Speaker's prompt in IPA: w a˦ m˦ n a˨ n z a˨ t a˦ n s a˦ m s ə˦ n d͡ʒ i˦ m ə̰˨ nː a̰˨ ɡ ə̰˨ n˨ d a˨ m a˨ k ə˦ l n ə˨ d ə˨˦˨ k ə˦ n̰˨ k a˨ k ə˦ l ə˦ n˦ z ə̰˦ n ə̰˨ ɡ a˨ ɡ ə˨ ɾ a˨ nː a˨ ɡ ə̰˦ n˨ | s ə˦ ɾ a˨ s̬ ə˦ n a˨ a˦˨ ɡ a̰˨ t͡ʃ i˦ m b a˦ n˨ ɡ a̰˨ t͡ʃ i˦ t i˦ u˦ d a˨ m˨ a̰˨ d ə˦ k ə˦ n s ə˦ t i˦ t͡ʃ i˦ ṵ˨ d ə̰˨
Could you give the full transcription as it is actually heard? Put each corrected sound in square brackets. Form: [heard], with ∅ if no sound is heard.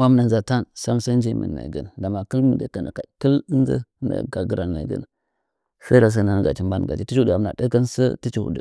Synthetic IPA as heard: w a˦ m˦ n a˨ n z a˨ t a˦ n s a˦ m s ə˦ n d͡ʒ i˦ m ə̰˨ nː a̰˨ ɡ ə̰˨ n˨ d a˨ m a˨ k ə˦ l [m] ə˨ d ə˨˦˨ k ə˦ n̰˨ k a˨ k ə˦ l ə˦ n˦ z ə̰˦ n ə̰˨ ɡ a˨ ɡ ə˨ ɾ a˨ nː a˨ ɡ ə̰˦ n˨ | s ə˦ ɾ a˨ s̬ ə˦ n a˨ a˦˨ ɡ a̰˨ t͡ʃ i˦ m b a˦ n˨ ɡ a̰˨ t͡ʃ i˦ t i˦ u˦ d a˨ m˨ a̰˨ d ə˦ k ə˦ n s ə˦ t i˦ t͡ʃ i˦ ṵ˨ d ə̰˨